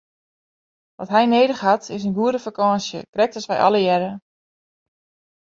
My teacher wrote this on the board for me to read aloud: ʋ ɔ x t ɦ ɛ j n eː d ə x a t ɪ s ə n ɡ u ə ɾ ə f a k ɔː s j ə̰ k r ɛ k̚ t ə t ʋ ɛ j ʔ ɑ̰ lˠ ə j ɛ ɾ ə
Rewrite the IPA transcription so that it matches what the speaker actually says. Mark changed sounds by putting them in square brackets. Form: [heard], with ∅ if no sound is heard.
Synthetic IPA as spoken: ʋ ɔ [∅] t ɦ ɛ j n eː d ə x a t ɪ s ə n ɡ u ə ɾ ə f a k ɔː s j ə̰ k r ɛ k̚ t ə [s] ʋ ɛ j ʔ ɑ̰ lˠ ə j ɛ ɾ ə